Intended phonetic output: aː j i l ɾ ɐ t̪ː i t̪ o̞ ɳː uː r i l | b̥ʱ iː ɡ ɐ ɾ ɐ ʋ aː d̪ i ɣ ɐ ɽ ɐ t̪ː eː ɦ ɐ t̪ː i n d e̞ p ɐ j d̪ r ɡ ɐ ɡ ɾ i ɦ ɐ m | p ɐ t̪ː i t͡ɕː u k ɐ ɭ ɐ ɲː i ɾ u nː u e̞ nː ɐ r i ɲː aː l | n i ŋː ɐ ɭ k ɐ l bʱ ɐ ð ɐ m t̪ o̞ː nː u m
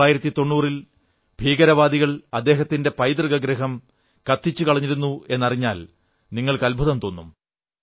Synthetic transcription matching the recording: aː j i ɾ ɐ t̪ː i t̪ o̞ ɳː uː r i l | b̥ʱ iː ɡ ɐ ɾ ɐ ʋ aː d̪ i ɣ ɐ ɭ ɐ d̪ː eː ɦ ɐ t̪ː i n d e̞ p ɐ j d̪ r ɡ ɐ ɡ ɾ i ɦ ɐ m | k ɐ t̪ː i t͡ɕː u k ɐ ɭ ɐ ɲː i ɾ u nː u e̞ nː ɐ r i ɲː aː l | n i ŋː ɐ ɭ k ɐ l bʱ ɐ ð ɐ m t̪ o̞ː nː u m